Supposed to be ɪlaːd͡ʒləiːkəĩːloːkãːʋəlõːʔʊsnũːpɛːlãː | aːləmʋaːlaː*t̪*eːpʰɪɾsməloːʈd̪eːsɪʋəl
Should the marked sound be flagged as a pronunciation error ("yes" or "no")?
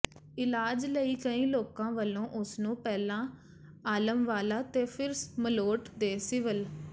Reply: no